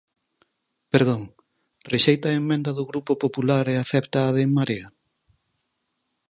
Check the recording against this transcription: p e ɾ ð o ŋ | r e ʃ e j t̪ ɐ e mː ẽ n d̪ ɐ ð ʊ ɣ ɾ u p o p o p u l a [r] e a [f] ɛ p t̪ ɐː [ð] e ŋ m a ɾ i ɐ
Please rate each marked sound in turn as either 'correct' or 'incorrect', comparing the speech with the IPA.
incorrect, incorrect, correct

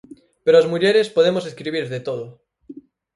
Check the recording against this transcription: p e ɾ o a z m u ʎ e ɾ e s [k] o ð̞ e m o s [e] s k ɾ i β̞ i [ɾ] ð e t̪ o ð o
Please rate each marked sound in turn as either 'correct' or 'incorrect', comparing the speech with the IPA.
incorrect, correct, correct

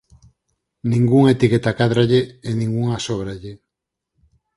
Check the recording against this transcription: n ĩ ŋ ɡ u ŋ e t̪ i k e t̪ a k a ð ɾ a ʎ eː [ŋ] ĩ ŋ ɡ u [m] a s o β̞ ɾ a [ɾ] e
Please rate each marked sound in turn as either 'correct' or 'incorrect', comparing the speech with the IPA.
incorrect, incorrect, incorrect

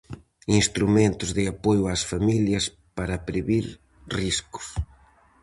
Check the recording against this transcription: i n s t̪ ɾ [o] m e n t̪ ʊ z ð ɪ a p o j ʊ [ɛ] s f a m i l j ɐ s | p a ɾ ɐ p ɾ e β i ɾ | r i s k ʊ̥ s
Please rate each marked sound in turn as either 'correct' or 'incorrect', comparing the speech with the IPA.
incorrect, incorrect

